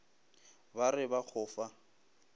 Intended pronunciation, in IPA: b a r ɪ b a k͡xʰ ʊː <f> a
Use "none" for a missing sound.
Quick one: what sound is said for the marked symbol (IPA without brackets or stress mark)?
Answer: f